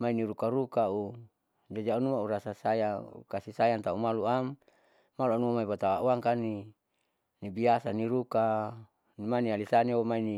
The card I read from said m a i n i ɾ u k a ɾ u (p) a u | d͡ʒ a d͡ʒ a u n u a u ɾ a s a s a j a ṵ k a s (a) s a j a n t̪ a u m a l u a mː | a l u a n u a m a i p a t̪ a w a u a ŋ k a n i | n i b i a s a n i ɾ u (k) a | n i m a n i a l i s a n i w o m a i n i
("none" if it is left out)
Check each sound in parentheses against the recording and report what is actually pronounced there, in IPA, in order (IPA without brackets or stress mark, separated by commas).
k, i, k